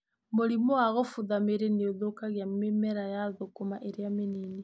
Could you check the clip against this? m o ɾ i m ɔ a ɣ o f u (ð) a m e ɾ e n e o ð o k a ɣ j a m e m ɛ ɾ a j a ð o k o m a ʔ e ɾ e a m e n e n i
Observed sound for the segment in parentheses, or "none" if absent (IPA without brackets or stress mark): ð